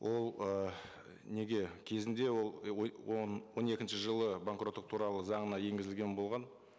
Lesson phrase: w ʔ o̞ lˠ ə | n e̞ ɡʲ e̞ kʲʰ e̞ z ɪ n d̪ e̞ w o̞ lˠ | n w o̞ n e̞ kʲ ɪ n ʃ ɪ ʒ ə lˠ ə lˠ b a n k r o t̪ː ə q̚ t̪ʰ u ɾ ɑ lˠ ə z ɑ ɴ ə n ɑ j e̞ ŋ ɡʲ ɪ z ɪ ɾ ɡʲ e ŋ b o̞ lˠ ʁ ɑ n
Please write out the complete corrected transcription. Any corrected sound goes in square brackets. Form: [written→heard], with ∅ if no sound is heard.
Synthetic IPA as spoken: w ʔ o̞ lˠ ə | n e̞ ɡʲ e̞ kʲʰ e̞ z ɪ n d̪ e̞ w o̞ lˠ | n w o̞ n e̞ kʲ ɪ n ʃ ɪ ʒ ə lˠ ə [lˠ→∅] b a [n→ŋ] k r o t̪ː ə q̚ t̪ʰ u ɾ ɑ lˠ ə z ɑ ɴ ə n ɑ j e̞ ŋ ɡʲ ɪ z ɪ [ɾ→l] ɡʲ e [ŋ→n] b o̞ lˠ ʁ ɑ n